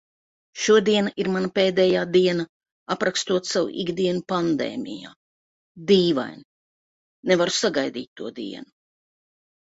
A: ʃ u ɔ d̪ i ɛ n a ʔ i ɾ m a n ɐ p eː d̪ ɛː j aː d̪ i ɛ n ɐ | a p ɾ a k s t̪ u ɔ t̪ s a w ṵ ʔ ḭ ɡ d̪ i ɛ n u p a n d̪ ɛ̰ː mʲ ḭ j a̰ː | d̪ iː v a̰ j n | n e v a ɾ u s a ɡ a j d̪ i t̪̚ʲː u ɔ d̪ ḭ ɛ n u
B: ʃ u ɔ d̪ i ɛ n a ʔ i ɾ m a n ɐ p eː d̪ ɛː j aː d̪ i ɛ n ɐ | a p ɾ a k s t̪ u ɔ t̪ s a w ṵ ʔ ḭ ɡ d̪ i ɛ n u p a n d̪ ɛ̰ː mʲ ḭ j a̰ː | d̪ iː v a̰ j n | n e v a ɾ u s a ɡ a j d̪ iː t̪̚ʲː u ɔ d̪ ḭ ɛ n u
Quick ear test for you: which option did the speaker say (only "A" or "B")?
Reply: B